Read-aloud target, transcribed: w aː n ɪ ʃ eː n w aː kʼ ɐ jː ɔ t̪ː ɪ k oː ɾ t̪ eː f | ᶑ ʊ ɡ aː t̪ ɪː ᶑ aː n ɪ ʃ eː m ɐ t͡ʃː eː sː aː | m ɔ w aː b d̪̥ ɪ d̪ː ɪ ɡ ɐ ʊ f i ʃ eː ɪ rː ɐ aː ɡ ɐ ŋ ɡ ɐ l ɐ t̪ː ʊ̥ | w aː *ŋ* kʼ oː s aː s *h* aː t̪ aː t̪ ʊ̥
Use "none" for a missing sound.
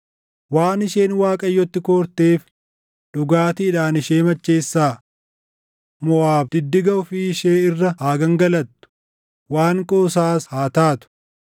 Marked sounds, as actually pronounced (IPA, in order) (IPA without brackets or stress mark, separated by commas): ŋ, h